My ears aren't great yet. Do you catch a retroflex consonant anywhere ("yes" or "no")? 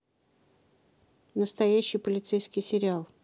no